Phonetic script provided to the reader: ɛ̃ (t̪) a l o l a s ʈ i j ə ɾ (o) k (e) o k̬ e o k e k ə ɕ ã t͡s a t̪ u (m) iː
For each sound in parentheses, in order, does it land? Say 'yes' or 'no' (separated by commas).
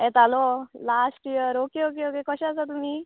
yes, yes, yes, yes